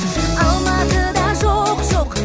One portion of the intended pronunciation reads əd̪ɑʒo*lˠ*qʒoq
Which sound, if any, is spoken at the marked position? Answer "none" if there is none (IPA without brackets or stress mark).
none